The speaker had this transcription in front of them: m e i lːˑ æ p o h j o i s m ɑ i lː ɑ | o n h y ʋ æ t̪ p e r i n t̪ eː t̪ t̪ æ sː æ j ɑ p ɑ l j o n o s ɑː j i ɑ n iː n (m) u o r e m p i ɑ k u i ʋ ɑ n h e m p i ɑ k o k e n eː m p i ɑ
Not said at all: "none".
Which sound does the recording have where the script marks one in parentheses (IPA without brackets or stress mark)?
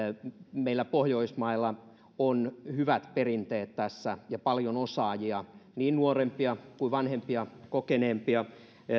n